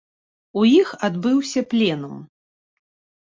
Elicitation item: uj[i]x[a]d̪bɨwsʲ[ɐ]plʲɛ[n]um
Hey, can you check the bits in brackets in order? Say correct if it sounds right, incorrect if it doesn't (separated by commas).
correct, correct, correct, correct